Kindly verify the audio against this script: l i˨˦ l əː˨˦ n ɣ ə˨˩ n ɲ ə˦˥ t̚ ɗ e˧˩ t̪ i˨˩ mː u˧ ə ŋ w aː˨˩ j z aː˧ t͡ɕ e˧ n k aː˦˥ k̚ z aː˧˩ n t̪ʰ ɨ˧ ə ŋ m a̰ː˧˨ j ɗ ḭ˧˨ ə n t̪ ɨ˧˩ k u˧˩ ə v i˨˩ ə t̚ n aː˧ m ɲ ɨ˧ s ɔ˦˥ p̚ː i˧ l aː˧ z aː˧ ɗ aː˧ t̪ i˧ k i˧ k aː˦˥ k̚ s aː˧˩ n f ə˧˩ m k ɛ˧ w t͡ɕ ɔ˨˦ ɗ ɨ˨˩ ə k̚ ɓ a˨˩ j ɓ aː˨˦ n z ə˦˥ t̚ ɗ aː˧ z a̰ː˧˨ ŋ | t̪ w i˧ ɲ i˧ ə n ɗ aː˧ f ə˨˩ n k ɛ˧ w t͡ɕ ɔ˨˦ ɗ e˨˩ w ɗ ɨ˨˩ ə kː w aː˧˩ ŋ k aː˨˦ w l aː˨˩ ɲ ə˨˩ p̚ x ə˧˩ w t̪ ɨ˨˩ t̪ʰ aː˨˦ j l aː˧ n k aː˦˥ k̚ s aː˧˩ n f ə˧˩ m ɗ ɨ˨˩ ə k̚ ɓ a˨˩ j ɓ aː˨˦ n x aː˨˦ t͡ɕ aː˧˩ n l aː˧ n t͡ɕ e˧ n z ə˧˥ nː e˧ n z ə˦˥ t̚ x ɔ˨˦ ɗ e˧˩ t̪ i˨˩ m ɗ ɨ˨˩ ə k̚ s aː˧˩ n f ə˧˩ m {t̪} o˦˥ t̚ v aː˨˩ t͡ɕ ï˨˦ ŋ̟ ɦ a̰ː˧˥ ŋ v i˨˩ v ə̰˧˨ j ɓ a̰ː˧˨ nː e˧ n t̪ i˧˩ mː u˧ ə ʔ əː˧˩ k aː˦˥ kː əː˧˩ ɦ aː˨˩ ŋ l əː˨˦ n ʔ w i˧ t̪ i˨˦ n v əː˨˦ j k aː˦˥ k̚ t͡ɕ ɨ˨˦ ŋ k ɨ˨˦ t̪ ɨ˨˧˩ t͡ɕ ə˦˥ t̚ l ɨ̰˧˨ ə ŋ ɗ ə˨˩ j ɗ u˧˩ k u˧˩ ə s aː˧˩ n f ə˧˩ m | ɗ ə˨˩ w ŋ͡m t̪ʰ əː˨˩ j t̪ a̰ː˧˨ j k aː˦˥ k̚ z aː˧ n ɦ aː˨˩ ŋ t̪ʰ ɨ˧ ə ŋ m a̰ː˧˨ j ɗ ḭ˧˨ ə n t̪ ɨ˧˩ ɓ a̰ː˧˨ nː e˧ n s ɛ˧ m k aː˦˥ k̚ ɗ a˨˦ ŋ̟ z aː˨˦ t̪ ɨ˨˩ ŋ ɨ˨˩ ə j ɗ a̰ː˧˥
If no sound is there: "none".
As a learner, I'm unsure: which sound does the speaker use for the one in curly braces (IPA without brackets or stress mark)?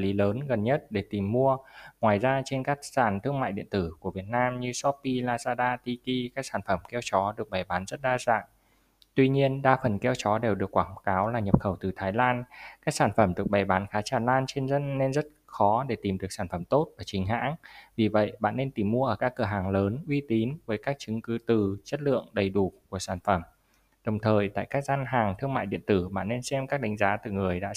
t̪